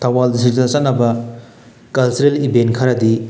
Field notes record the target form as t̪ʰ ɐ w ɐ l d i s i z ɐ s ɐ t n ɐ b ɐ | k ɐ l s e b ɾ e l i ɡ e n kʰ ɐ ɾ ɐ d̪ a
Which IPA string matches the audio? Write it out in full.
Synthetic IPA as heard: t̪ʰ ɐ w a l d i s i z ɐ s ɐ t n ɐ b ɐ | k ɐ l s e ɾ e l i b e n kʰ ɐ ɾ ɐ d̪ i